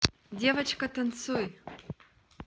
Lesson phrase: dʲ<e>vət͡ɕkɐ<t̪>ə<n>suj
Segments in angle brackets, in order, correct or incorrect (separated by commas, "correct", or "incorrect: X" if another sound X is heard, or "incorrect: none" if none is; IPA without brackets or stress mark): correct, correct, correct